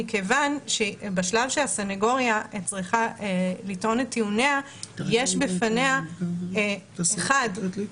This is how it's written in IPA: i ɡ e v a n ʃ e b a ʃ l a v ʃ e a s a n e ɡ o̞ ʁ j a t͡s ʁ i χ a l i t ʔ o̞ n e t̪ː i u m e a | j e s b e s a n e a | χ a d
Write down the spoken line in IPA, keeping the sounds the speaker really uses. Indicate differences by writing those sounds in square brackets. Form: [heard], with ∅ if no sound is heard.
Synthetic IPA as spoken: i [k] e v a n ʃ e b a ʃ l a v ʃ e a s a n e ɡ o̞ ʁ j a t͡s ʁ i χ a l i t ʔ o̞ n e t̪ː i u [n] e a | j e [ʃ] b e [f] a n e a | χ a d

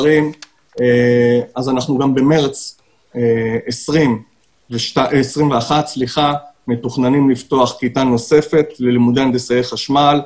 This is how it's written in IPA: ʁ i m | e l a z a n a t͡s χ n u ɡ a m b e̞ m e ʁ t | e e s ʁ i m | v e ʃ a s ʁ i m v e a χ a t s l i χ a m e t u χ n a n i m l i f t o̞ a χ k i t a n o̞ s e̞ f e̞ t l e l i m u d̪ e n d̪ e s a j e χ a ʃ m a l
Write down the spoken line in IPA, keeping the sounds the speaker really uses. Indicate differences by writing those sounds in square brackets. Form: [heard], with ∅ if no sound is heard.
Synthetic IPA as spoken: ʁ i m | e [∅] a z a n a [∅] χ n u ɡ a m b e̞ m e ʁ [t͡s] | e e s ʁ i m | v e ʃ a s ʁ i m v e a χ a t s l i χ a m e t u χ n a n i m l i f t o̞ a χ k i t a n o̞ s e̞ f e̞ t l e l i m u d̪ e n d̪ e s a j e χ a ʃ m a l

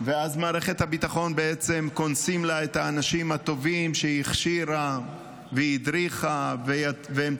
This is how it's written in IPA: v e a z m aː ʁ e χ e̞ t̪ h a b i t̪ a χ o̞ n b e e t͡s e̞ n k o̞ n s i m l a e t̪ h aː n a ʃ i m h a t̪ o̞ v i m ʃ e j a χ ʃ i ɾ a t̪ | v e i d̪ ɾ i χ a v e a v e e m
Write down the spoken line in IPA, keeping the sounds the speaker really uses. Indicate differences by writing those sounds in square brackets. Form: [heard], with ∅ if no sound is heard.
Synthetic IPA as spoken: v e a z m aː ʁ e χ e̞ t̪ h a b i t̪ a χ o̞ n b e e t͡s e̞ [m] k o̞ n s i m l a e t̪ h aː n a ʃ i m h a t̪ o̞ v i m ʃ e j [i] χ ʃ i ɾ a [∅] | v e i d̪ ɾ i χ a v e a v e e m

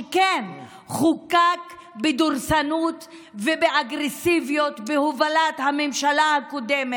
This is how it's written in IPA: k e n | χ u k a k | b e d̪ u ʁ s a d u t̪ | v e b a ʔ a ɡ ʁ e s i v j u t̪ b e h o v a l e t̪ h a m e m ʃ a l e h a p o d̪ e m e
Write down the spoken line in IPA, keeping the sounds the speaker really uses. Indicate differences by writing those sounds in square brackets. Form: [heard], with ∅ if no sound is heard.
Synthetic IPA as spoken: k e n | χ u k a k | b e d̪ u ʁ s a [n] u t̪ | v e b [e] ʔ a ɡ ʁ e s i v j [o] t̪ b e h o v a l [a] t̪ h a m e m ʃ a l [a] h a [k] o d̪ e m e

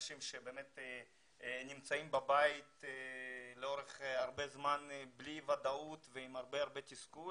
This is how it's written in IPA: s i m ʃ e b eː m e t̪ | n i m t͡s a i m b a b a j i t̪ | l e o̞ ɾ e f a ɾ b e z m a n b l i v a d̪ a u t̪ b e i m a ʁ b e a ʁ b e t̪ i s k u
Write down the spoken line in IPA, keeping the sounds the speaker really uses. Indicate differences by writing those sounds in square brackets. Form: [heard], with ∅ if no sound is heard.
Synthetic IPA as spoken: [ʃ] i m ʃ e b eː m e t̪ | n i m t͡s a i m b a b a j i t̪ | l e o̞ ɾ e [χ] a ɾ b e z m a n b l i v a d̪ a u t̪ [v] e i m a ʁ b e a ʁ b e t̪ i s k u

